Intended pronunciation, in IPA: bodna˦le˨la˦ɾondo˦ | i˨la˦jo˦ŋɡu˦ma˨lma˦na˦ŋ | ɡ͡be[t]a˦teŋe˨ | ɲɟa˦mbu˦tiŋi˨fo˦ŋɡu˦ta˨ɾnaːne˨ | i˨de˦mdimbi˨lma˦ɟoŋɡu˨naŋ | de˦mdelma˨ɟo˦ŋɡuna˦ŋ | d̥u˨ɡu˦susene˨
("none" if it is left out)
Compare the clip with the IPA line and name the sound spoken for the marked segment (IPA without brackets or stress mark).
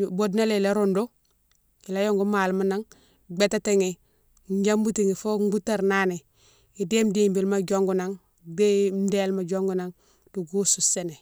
t